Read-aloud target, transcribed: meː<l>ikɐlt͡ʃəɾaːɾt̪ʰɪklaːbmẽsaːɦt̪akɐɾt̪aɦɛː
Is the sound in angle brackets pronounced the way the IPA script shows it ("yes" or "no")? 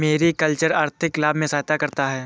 no